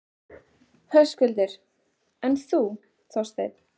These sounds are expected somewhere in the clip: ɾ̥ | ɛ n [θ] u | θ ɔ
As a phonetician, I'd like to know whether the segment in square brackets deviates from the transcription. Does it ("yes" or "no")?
no